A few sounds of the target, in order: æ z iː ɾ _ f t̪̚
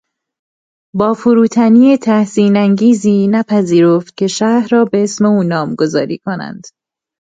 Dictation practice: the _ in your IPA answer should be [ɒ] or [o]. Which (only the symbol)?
o